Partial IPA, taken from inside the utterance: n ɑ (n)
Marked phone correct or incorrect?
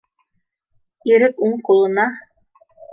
incorrect